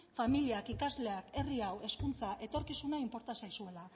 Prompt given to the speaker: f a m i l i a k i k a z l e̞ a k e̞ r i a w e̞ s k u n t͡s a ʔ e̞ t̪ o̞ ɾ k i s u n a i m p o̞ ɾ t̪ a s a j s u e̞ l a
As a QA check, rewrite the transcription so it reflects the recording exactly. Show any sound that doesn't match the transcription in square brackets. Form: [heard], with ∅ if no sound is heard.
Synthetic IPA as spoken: f a m i l i a k i k a z l e̞ a k e̞ r i a w e̞ s k u n t͡s a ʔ e̞ t̪ o̞ ɾ k i s u n a i m p o̞ ɾ t̪ a s a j s u e̞ l a